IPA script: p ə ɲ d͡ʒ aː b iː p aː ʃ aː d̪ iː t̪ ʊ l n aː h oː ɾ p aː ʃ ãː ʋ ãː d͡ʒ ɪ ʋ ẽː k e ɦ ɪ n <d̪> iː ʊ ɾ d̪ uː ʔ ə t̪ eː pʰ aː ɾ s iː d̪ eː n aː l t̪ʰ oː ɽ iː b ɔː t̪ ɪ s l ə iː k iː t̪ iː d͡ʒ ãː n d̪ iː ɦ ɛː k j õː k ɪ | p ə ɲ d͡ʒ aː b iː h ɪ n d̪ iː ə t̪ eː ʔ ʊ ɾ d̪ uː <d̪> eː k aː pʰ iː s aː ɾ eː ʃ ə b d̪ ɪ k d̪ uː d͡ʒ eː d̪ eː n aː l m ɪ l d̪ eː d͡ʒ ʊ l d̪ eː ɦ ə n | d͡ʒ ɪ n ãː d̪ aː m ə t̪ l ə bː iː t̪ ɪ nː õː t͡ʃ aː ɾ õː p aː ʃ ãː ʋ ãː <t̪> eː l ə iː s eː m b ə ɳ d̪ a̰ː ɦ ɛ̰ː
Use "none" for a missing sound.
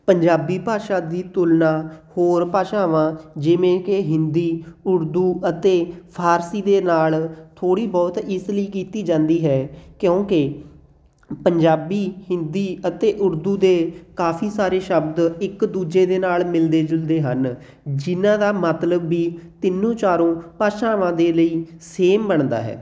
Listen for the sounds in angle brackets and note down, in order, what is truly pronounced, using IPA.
d̪, d̪, d̪

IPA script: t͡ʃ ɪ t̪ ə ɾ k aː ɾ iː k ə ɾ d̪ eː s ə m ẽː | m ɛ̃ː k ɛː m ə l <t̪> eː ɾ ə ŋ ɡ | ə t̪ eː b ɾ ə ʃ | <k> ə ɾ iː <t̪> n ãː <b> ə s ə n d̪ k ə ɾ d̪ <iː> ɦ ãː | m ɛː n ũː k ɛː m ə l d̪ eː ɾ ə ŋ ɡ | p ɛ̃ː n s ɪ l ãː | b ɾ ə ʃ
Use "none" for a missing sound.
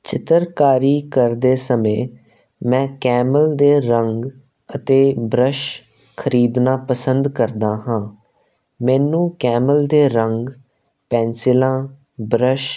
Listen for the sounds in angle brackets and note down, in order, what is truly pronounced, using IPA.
d̪, kʰ, d̪, p, aː

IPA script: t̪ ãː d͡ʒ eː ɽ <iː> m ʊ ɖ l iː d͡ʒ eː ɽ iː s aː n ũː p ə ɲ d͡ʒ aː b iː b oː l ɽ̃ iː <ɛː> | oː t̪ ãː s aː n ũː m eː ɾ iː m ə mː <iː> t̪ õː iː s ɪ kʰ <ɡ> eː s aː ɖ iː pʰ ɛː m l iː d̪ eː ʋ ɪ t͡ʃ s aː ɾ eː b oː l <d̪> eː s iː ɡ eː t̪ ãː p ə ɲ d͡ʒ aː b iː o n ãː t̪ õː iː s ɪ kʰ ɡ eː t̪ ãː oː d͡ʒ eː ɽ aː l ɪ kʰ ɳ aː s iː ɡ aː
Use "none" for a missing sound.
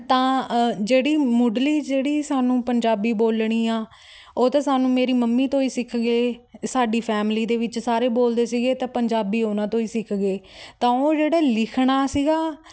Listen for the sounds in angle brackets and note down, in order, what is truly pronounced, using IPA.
iː, aː, iː, ɡ, d̪

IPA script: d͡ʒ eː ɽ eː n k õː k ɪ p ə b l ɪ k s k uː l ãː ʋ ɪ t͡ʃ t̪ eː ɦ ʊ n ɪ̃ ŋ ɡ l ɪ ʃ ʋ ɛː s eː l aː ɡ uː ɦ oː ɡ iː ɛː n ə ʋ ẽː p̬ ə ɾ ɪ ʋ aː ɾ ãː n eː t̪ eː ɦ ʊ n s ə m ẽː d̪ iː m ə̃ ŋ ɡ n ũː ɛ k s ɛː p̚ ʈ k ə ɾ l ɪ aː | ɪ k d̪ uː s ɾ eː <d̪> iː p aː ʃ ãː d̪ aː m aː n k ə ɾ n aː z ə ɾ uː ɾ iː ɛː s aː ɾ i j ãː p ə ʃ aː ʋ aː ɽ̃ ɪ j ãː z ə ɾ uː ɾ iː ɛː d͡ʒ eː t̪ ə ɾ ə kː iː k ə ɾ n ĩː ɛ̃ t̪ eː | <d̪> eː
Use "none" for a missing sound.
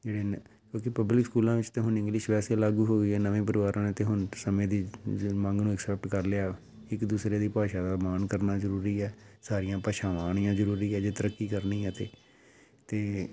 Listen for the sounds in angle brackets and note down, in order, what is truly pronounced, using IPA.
d̪, t̪

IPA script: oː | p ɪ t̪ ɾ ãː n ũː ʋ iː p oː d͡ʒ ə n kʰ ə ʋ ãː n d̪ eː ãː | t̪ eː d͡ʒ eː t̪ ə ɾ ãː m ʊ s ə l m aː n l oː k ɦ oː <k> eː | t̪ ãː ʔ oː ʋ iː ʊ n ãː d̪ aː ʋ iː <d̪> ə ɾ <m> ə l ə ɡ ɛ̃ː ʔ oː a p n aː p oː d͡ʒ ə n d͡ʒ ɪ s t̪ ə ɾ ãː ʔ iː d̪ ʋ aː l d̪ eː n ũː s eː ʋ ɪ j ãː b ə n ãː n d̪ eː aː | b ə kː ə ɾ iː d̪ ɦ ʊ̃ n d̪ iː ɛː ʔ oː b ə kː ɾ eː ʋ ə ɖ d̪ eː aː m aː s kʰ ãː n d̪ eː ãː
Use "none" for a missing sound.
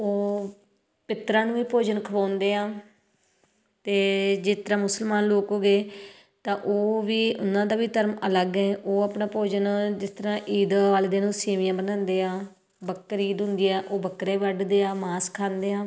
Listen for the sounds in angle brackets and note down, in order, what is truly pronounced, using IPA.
ɡ, t̪, m

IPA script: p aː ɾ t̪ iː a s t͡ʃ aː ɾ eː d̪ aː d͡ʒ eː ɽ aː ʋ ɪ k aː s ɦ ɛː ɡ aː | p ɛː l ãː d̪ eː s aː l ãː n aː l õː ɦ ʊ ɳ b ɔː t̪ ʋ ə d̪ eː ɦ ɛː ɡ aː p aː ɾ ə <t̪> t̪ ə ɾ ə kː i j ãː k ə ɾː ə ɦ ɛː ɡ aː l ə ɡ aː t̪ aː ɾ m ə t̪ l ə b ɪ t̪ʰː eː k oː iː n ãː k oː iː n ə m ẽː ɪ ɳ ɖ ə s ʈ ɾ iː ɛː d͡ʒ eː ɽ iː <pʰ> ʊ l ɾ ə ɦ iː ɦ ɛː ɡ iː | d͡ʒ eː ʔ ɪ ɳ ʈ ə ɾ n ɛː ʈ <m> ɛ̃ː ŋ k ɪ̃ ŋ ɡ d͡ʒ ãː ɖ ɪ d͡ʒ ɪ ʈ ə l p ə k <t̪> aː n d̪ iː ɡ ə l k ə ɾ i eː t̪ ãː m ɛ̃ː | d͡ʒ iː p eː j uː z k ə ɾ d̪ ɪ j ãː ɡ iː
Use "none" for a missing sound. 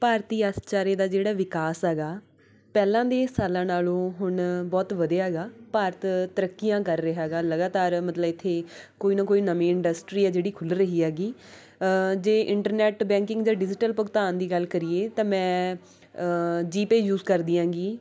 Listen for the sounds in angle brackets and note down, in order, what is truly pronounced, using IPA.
t̪, kʰ, b, t̪

